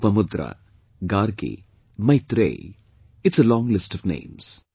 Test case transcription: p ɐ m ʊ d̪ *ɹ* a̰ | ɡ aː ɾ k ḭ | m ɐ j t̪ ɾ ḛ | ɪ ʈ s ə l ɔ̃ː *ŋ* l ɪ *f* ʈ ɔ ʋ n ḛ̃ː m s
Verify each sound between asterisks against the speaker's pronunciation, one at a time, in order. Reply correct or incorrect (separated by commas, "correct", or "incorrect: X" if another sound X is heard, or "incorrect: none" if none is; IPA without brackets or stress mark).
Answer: incorrect: ɾ, correct, incorrect: s